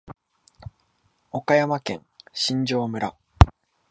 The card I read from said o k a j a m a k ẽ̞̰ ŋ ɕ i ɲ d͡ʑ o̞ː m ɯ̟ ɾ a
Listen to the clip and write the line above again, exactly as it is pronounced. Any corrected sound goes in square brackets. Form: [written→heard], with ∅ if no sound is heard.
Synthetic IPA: o k a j a m a k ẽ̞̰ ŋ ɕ [i→ĩ] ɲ d͡ʑ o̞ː m ɯ̟ ɾ a